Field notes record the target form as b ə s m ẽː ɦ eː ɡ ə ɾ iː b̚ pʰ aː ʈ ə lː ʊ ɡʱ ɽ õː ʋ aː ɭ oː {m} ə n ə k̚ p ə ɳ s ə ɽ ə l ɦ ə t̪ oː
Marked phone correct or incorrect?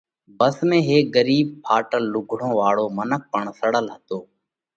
correct